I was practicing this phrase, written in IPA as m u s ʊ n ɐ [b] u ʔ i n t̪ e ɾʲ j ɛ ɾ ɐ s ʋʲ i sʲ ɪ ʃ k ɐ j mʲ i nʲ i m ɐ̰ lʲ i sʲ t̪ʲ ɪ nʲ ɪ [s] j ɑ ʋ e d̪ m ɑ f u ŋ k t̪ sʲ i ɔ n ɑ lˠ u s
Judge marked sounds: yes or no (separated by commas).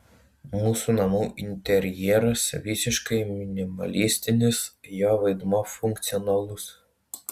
no, yes